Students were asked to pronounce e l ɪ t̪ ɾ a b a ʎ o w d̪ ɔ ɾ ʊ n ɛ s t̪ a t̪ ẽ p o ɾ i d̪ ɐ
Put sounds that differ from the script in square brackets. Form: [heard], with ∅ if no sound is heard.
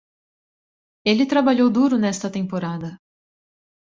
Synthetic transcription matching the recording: e l ɪ t̪ ɾ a b a ʎ o w d̪ [u] ɾ ʊ n ɛ s t̪ [ɐ] t̪ ẽ p o ɾ [a] d̪ ɐ

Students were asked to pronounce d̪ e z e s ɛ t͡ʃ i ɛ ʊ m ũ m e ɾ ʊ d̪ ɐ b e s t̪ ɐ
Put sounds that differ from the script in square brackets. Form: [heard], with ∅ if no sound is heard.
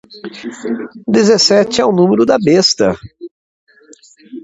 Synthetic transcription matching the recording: d̪ e z e s ɛ t͡ʃ [ɪ] ɛ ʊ [n] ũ m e ɾ ʊ d̪ ɐ b e s t̪ ɐ

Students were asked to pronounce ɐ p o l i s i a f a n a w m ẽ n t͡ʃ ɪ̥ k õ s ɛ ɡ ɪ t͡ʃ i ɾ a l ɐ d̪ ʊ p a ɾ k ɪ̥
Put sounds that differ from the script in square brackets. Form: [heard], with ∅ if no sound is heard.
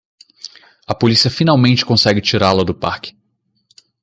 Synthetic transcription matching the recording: ɐ p o l i s i [ɐ] f [i] n a w m ẽ n t͡ʃ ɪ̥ k õ s ɛ ɡ ɪ t͡ʃ i ɾ a l ɐ d̪ ʊ p a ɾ k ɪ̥

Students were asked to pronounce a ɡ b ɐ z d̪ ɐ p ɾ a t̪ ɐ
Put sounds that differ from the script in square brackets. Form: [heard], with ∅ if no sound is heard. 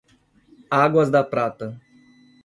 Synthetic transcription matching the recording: a ɡ [w] ɐ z d̪ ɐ p ɾ a t̪ ɐ

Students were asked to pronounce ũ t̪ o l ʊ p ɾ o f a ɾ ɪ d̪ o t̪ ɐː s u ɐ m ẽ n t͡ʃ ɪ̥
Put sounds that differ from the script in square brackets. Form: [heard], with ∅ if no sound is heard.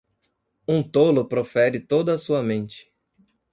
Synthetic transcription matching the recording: ũ t̪ o l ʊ p ɾ o f [ɛ] ɾ ɪ [t̪] o [d̪] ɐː s u ɐ m ẽ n t͡ʃ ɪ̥

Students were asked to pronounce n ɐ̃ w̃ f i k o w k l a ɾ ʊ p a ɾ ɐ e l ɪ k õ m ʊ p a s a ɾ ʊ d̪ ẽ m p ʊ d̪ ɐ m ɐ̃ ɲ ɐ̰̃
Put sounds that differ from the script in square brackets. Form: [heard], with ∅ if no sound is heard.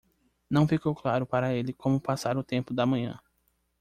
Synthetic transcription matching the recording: n ɐ̃ w̃ f i k o w k l a ɾ ʊ p a ɾ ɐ e l ɪ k õ m ʊ p a s a ɾ ʊ [t̪] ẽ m p ʊ d̪ ɐ m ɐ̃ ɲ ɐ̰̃

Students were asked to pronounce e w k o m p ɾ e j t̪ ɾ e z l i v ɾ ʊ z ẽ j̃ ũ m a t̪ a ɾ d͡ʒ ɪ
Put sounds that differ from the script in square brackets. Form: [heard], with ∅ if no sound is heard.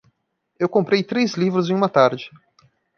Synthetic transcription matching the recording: e w k [õ] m p ɾ e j t̪ ɾ e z l i v ɾ ʊ z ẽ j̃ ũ m [ɐ] t̪ a ɾ d͡ʒ ɪ

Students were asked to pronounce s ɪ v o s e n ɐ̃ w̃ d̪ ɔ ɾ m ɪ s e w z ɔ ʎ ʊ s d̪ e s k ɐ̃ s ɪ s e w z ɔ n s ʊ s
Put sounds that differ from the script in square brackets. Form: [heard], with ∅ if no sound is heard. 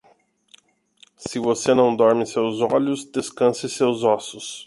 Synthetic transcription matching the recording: s ɪ v o s e n ɐ̃ w̃ d̪ ɔ ɾ m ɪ s e w z ɔ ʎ ʊ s d̪ e s k ɐ̃ s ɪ s e w z ɔ [∅] s ʊ s

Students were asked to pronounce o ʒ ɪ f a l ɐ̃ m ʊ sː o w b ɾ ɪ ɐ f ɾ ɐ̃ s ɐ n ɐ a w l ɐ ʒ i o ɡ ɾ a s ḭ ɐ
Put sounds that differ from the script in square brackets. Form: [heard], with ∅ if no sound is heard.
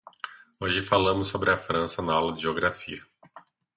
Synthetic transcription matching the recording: o ʒ ɪ f a l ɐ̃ m ʊ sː o [∅] b ɾ ɪ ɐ f ɾ ɐ̃ s ɐ n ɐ a w l ɐ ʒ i o ɡ ɾ a [f] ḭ ɐ

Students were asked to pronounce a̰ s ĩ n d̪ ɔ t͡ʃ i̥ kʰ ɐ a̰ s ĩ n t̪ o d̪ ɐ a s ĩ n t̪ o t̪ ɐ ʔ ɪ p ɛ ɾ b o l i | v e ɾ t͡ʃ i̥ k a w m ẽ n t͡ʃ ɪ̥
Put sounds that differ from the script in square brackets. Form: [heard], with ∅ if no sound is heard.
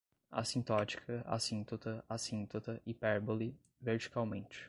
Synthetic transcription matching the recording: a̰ s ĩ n [t̪] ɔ t͡ʃ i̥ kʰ ɐ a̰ s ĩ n t̪ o [t̪] ɐ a s ĩ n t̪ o t̪ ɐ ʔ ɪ p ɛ ɾ b o l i | v e ɾ t͡ʃ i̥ k a w m ẽ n t͡ʃ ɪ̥

